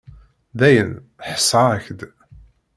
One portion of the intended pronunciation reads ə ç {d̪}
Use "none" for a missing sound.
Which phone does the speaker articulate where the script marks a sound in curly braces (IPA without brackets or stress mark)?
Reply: d̪